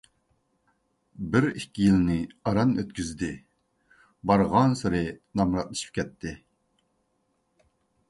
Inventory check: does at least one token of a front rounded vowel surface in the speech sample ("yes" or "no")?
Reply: yes